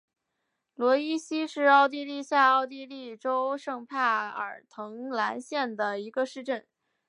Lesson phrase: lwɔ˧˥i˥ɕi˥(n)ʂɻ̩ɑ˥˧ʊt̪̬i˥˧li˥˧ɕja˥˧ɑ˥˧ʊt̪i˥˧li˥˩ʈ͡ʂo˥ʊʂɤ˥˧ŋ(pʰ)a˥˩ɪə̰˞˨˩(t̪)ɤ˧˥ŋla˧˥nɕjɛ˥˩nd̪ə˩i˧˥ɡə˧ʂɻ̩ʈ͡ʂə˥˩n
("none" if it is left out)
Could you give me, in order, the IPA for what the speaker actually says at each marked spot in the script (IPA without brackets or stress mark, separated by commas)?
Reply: none, pʰ, t̪ʰ